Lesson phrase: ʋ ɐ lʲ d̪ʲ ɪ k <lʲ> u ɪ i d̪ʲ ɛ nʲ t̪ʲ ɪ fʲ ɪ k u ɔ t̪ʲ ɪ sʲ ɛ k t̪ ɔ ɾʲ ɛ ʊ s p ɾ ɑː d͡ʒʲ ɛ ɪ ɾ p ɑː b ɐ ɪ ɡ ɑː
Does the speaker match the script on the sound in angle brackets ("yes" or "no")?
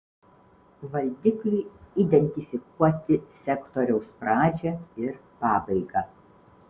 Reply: yes